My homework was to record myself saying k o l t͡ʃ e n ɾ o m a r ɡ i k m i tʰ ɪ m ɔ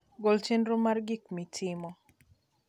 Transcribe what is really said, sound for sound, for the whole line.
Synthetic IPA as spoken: ɡ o l t͡ʃ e n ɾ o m a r ɡ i k m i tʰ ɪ m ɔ